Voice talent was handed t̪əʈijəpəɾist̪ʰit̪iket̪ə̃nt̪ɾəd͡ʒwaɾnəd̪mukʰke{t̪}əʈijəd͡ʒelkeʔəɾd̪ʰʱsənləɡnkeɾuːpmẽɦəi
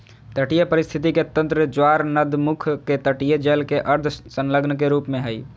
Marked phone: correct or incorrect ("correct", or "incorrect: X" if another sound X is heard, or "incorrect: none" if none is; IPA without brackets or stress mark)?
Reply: correct